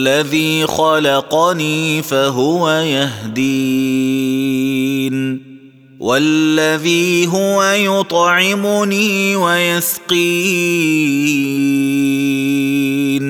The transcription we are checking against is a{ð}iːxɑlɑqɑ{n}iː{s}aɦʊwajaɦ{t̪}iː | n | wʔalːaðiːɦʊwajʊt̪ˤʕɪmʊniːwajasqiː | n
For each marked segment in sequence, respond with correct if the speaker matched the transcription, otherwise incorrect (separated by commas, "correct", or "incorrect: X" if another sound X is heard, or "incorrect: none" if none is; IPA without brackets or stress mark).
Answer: correct, correct, incorrect: f, incorrect: d̪